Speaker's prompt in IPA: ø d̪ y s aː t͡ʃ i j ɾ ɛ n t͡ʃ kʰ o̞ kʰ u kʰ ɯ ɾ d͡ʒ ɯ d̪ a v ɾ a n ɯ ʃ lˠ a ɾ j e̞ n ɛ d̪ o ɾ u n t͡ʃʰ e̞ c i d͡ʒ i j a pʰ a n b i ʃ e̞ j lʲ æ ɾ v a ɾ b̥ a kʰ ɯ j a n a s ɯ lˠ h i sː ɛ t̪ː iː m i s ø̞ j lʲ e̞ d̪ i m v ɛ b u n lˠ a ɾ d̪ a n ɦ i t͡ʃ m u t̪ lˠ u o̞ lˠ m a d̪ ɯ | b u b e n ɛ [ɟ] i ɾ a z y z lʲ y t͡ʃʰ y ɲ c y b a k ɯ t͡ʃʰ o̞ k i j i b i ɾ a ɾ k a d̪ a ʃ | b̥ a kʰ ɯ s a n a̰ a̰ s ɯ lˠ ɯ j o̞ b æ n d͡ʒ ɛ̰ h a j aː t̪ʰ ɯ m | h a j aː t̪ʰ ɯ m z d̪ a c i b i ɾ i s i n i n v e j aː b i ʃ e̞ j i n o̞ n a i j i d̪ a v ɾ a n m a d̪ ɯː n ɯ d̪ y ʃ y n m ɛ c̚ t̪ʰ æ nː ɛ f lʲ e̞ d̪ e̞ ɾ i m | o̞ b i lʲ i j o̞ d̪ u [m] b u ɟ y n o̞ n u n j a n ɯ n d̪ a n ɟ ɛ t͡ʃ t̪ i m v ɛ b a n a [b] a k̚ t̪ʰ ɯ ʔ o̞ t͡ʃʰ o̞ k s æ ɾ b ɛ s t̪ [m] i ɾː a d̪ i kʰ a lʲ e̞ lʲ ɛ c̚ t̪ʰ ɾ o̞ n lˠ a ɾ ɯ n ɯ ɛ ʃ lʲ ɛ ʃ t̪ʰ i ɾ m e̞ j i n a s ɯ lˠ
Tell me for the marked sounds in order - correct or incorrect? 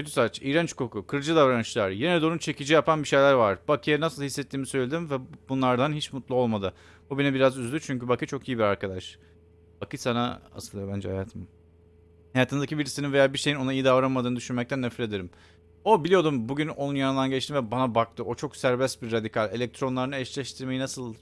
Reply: incorrect, correct, correct, incorrect

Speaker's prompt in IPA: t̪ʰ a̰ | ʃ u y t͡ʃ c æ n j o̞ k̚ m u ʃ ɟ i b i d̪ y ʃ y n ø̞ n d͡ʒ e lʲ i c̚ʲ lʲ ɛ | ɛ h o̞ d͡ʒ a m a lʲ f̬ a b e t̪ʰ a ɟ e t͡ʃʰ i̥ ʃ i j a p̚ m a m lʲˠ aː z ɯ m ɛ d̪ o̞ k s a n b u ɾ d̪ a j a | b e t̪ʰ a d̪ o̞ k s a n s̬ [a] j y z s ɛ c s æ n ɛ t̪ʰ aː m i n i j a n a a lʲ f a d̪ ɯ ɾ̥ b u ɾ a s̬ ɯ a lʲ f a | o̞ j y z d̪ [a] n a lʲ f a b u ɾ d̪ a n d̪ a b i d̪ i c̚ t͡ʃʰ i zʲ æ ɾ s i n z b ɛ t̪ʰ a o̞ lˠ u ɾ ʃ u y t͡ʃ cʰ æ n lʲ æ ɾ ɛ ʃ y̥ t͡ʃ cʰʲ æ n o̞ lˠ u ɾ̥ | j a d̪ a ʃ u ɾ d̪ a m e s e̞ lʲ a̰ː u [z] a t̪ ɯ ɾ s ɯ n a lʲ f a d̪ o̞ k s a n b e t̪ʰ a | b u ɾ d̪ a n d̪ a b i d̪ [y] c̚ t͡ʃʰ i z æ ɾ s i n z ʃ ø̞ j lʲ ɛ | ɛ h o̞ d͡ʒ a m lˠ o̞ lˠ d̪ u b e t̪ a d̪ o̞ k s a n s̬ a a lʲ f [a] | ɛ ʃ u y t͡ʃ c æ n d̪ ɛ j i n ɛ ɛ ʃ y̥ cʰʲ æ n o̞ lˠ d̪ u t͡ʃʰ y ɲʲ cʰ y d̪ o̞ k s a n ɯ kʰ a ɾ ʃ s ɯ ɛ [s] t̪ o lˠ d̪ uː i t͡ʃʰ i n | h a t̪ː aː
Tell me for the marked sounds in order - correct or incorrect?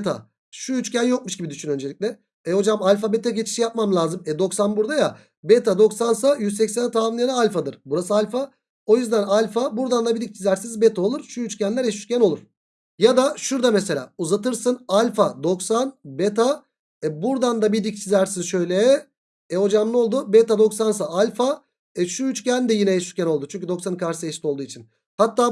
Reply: correct, incorrect, correct, incorrect, correct, incorrect

